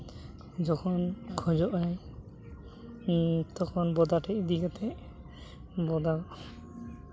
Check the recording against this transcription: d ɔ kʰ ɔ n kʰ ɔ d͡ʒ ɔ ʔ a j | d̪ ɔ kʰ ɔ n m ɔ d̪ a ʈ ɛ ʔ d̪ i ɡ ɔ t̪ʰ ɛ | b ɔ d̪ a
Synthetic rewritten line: d͡ʒ ɔ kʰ ɔ n kʰ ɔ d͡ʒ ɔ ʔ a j | t̪ ɔ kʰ ɔ n b ɔ d̪ a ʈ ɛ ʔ d̪ i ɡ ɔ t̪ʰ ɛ | b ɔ d̪ a